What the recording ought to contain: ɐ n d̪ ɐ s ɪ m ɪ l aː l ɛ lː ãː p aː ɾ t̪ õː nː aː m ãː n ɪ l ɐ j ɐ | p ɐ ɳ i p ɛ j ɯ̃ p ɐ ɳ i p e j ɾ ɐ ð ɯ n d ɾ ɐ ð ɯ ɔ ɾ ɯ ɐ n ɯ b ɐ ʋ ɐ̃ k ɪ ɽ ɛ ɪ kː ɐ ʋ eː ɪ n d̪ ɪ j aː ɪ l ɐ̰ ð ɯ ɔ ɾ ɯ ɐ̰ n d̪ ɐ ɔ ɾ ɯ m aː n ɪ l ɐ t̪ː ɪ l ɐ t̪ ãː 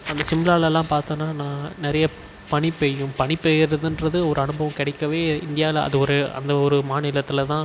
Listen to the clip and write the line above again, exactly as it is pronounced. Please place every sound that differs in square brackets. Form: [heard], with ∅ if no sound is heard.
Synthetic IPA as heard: ɐ n d̪ ɐ s ɪ m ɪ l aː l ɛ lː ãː p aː ɾ t̪ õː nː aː [n] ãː n ɪ [ɾ] ɐ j ɐ | p ɐ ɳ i p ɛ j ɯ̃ p ɐ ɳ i p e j ɾ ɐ ð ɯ n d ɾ ɐ ð ɯ ɔ ɾ ɯ ɐ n ɯ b ɐ ʋ ɐ̃ k ɪ ɽ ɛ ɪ kː ɐ ʋ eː ɪ n d̪ ɪ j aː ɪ l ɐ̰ ð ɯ ɔ ɾ ɯ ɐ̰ n d̪ ɐ ɔ ɾ ɯ m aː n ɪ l ɐ t̪ː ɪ l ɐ t̪ ãː

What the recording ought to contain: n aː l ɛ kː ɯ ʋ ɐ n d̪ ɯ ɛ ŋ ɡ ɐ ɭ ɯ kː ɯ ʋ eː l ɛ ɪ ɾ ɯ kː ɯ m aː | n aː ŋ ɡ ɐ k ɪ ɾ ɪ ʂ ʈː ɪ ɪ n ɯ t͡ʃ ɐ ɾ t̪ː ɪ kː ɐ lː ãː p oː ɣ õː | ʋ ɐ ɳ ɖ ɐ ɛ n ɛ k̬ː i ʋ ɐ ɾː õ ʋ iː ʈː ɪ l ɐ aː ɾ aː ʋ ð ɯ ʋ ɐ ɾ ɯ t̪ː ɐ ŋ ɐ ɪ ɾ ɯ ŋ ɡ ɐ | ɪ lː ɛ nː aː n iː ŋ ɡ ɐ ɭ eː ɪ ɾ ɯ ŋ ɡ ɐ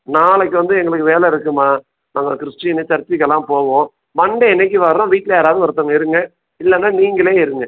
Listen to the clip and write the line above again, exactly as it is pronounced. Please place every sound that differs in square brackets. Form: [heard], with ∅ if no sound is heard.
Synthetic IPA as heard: n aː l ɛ kː ɯ ʋ ɐ n d̪ ɯ ɛ ŋ ɡ ɐ ɭ ɯ kː ɯ ʋ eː l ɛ ɪ ɾ ɯ kː ɯ m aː | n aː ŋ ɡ ɐ k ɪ ɾ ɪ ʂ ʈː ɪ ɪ n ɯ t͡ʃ ɐ ɾ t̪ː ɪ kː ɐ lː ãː p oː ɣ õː | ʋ ɐ ɳ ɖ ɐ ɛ n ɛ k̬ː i ʋ ɐ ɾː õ ʋ iː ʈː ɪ l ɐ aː ɾ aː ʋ ð ɯ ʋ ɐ ɾ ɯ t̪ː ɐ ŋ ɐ ɪ ɾ ɯ ŋ ɡ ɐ | ɪ lː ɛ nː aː n iː ŋ ɡ ɐ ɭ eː ɪ ɾ ɯ ŋ ɡ ɐ

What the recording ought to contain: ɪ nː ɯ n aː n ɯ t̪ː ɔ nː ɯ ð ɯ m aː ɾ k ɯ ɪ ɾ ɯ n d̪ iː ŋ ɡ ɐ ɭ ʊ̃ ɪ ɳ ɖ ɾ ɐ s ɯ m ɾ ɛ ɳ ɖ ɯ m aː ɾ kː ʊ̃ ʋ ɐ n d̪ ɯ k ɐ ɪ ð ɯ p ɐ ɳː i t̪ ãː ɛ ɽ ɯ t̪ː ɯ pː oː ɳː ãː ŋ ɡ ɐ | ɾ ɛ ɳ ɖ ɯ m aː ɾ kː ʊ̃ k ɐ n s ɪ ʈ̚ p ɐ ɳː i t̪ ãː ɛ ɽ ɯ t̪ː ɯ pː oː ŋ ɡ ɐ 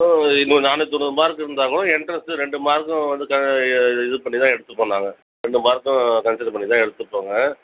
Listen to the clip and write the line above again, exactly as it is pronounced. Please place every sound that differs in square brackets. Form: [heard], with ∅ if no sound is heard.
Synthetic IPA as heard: ɪ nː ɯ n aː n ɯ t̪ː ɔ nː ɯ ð ɯ m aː ɾ k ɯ ɪ ɾ ɯ n d̪ [aː] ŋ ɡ ɐ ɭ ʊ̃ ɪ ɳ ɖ ɾ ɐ s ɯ [∅] ɾ ɛ ɳ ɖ ɯ m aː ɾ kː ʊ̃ ʋ ɐ n d̪ ɯ k ɐ ɪ ð ɯ p ɐ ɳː i t̪ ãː ɛ ɽ ɯ t̪ː ɯ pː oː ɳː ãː ŋ ɡ ɐ | ɾ ɛ ɳ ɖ ɯ m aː ɾ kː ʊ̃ k ɐ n s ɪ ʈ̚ p ɐ ɳː i t̪ ãː ɛ ɽ ɯ t̪ː ɯ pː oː ŋ ɡ ɐ

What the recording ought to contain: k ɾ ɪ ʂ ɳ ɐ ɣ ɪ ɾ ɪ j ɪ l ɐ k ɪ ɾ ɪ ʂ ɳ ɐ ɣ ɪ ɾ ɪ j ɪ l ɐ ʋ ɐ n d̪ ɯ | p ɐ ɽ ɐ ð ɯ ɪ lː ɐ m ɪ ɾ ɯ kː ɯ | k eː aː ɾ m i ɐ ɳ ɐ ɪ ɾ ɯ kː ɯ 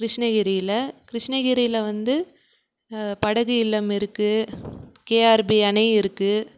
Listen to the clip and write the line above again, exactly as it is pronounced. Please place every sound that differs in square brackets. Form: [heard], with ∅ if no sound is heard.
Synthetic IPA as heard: k ɾ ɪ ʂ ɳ ɐ ɣ ɪ ɾ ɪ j ɪ l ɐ k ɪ ɾ ɪ ʂ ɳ ɐ ɣ ɪ ɾ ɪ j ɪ l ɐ ʋ ɐ n d̪ ɯ | p ɐ ɽ ɐ [ɣ] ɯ ɪ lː ɐ m ɪ ɾ ɯ kː ɯ | k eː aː ɾ [b] i ɐ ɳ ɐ ɪ ɾ ɯ kː ɯ

